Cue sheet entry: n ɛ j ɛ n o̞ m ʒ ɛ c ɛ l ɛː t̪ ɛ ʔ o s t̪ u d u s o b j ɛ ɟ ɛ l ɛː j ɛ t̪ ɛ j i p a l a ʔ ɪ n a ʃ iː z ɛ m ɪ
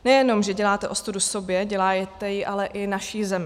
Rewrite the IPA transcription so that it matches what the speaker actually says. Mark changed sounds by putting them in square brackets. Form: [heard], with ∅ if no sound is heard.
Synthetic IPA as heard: n ɛ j ɛ n o̞ m ʒ ɛ [ɟ] ɛ l [aː] t̪ ɛ ʔ o s t̪ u d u s o b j ɛ ɟ ɛ l [aː] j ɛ t̪ ɛ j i [ʔ] a l [ɛ] ʔ ɪ n a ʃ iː z ɛ m ɪ

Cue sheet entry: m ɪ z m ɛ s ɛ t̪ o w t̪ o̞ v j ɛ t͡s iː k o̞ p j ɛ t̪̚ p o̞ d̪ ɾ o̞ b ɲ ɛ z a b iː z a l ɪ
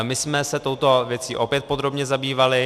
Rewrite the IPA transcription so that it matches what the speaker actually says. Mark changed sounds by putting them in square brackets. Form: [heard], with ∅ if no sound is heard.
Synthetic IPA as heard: m ɪ [s] m ɛ s ɛ t̪ o w t̪ o̞ v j ɛ t͡s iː [ʔ] o̞ p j ɛ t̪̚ p o̞ d̪ ɾ o̞ b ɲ ɛ z a b iː [v] a l ɪ

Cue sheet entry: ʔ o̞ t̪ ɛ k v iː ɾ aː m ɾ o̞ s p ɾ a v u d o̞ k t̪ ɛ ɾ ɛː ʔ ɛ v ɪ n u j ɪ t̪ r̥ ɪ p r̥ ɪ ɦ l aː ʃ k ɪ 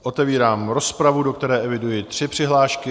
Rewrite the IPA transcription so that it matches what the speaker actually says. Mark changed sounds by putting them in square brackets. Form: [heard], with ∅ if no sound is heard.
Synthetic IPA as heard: ʔ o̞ t̪ ɛ [∅] v iː ɾ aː m ɾ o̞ s p ɾ a v u d o̞ k t̪ ɛ ɾ ɛː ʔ ɛ v ɪ [d] u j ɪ t̪ r̥ ɪ p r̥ ɪ ɦ l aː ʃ k ɪ

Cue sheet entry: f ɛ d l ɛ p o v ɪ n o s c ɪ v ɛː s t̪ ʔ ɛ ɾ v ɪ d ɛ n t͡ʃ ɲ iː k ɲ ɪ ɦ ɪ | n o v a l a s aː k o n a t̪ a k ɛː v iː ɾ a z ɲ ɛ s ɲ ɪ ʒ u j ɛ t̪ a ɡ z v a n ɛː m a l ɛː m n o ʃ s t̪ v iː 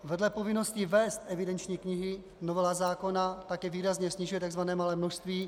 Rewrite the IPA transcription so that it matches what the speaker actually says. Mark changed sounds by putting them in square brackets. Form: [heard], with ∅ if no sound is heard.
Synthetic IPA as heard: [v] ɛ d l ɛ p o v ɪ n o s c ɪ v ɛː s t̪ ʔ ɛ [∅] v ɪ d ɛ n t͡ʃ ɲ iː k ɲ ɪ ɦ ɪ | n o v [ɛ] l a [z] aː k o n a t̪ a k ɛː v iː ɾ a z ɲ ɛ s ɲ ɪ ʒ u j ɛ t̪ a ɡ z v a n ɛː m a l ɛː m n o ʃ s t̪ v iː

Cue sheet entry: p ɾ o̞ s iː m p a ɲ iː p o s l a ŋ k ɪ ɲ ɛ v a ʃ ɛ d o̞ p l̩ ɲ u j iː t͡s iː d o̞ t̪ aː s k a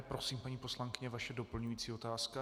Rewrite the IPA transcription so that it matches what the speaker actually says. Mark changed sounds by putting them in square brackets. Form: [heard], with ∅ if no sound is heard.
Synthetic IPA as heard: p ɾ o̞ s iː m p a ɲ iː p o s l a ŋ k ɪ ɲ ɛ v a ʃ ɛ d o̞ p l̩ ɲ u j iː t͡s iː [∅] o̞ t̪ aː s k a

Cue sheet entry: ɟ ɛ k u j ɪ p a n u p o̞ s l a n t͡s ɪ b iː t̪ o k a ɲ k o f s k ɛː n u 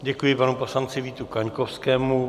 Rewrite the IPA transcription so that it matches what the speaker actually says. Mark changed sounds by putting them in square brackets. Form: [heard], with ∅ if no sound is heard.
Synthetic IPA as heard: ɟ ɛ k u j ɪ p a n u p o̞ s l a n t͡s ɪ [v] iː t̪ [u] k a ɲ k o f s k ɛː [m] u

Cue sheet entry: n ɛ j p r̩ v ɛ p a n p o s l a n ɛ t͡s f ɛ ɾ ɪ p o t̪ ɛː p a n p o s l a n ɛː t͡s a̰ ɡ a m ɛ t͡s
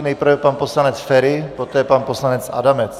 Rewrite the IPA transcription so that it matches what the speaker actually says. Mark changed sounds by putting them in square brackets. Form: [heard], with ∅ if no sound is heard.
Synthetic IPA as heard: n ɛ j p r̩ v ɛ p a n p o s l a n ɛ t͡s f ɛ ɾ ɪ p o t̪ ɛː p a n p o s l a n [ɛ] t͡s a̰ [d] a m ɛ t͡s

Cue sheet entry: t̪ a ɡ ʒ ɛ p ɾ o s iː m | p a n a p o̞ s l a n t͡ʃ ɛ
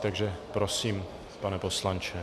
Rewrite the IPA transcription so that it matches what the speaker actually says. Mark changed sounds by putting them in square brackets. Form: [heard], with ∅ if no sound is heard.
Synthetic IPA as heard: t̪ a ɡ ʒ ɛ p ɾ o s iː m | p a n [ɛ] p o̞ s l a n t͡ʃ ɛ

